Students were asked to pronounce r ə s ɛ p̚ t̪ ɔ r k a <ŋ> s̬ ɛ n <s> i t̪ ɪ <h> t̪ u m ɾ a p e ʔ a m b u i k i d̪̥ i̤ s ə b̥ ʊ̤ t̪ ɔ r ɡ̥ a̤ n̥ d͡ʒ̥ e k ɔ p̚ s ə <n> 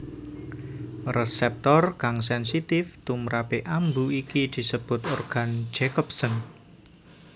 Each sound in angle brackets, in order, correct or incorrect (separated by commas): correct, correct, incorrect, correct